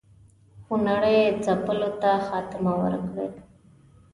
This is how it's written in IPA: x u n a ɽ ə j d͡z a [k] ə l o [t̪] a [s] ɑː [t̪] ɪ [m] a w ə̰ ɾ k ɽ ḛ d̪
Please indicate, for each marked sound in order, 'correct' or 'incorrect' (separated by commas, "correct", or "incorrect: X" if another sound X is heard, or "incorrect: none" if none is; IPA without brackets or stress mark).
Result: incorrect: p, correct, incorrect: x, correct, correct